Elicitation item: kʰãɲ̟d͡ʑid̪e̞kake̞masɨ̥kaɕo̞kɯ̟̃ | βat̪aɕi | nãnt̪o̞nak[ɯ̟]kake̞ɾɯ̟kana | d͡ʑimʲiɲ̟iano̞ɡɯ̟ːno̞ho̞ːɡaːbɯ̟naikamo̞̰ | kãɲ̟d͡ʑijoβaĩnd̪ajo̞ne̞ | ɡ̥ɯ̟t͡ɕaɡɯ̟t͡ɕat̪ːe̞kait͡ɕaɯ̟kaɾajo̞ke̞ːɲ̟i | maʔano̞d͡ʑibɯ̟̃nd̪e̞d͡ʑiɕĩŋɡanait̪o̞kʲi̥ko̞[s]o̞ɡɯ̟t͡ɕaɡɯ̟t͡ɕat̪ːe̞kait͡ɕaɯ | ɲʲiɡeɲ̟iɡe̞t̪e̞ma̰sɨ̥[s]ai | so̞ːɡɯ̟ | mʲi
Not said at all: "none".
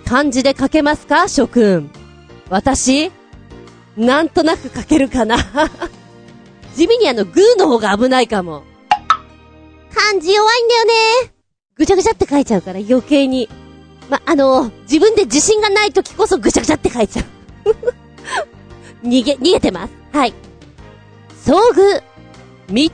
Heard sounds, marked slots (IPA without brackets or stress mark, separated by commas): ɯ̟, s, h